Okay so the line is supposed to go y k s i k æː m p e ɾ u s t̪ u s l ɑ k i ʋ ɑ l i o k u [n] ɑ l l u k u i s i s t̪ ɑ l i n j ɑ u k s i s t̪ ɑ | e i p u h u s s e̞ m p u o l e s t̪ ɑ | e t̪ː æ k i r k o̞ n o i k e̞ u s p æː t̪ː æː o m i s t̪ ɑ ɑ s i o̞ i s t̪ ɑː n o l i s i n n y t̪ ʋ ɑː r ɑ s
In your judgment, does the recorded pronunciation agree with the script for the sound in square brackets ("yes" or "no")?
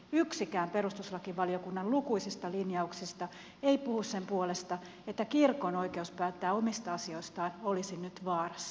no